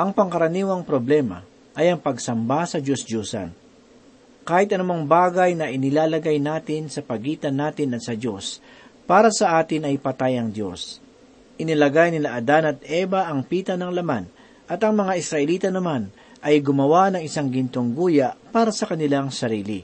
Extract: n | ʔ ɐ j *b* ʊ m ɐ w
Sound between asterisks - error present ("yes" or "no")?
yes